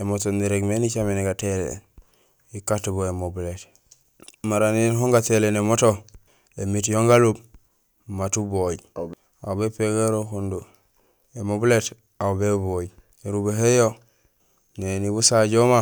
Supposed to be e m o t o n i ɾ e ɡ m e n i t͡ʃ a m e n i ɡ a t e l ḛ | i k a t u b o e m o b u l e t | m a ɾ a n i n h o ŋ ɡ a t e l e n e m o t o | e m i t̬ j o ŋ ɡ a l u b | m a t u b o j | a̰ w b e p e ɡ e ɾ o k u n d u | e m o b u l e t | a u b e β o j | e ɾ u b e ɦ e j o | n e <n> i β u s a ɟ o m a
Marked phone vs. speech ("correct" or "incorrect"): correct